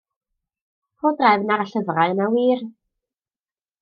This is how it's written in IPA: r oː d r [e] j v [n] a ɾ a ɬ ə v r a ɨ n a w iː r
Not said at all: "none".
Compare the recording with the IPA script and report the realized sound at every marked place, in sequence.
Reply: a, n

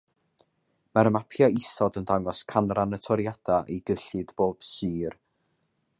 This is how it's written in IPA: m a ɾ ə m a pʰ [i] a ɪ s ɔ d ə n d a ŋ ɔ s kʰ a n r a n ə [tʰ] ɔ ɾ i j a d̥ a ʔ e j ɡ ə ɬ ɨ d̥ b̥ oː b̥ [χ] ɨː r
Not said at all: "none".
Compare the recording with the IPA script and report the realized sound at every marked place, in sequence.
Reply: j, tʰ, s

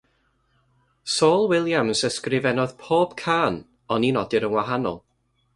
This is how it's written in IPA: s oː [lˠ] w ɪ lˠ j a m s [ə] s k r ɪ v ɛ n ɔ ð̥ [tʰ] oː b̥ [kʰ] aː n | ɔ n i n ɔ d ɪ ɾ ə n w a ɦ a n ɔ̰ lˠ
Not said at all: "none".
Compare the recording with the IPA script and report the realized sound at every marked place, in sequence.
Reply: lˠ, ə, pʰ, kʰ

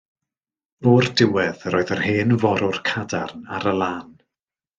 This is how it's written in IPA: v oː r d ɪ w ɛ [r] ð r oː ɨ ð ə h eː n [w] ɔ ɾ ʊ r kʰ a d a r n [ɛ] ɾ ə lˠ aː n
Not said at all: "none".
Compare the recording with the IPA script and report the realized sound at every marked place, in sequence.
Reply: none, v, a

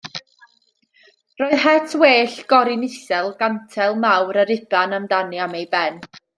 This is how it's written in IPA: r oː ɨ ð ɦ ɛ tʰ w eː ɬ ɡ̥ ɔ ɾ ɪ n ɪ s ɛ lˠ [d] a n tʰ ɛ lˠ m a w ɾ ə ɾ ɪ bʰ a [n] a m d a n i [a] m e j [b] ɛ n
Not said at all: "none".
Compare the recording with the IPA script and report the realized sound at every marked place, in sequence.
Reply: ɡ, n, a, b

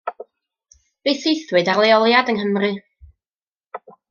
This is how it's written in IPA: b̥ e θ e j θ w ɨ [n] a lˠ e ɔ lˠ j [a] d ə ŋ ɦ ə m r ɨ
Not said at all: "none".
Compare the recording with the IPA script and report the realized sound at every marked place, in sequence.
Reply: d, a

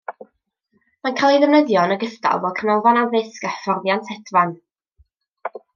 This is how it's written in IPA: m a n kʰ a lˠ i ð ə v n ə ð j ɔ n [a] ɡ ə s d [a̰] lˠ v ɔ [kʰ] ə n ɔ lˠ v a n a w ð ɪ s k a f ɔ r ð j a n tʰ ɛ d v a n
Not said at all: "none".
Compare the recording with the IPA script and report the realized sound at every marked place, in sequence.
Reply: ə, a̰, kʰ

